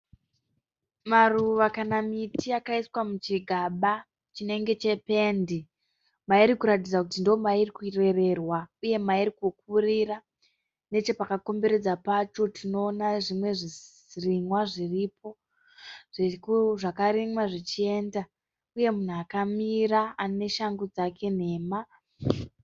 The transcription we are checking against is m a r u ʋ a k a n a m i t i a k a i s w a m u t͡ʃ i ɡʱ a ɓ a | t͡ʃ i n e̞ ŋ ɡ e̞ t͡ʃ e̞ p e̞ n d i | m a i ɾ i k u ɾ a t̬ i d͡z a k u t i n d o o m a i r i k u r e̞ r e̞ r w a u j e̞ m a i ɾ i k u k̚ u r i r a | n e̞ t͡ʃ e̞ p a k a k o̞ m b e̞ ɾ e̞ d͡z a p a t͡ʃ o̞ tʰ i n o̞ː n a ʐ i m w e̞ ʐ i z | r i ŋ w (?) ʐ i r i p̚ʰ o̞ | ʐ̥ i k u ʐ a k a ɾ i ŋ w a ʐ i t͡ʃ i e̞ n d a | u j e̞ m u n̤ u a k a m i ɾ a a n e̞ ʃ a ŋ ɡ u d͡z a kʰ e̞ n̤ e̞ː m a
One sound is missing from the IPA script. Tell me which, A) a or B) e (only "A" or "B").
A